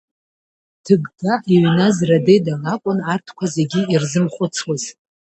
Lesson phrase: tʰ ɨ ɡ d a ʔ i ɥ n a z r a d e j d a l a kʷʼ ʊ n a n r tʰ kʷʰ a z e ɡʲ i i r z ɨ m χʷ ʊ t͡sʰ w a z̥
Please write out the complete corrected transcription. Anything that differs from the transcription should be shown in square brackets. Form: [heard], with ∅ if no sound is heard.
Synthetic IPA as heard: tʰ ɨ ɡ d a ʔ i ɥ n a z r a d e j d a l a kʷʼ ʊ n a [∅] r tʰ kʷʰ a z e ɡʲ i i r z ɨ m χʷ ʊ t͡sʰ w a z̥